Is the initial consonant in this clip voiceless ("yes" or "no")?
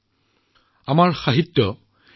no